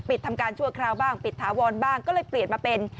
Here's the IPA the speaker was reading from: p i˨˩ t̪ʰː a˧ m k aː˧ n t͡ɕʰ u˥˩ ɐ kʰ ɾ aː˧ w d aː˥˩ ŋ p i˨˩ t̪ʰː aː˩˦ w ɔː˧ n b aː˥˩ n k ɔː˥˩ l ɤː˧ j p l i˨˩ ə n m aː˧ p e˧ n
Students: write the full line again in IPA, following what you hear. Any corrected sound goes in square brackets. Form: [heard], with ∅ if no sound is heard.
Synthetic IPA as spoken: p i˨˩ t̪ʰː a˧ m k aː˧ n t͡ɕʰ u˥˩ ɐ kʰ ɾ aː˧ w [b] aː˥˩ ŋ p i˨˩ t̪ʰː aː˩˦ w ɔː˧ n b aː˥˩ [ŋ] k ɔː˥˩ l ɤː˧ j p l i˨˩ ə n m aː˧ p e˧ n